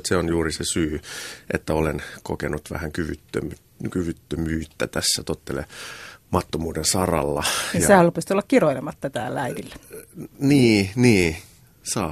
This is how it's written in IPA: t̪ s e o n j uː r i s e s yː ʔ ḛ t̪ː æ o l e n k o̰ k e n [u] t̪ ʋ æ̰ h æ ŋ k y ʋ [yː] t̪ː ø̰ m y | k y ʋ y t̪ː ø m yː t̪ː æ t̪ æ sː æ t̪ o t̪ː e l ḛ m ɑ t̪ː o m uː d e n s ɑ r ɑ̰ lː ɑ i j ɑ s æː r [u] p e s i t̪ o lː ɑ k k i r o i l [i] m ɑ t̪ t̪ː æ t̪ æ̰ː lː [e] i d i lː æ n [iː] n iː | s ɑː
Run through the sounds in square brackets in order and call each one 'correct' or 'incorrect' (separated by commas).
correct, incorrect, correct, incorrect, incorrect, correct